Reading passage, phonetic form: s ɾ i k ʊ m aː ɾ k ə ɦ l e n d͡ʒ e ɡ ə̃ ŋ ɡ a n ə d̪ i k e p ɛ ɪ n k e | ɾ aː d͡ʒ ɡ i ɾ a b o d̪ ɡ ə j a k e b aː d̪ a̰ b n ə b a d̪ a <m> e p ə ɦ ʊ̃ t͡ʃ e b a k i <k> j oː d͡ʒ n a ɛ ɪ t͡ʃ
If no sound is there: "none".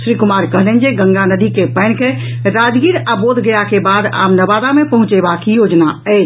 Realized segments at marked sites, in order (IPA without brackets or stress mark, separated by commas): m, none